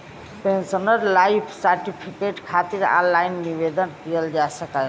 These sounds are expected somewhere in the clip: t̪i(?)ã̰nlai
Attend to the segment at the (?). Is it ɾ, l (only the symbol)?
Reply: ɾ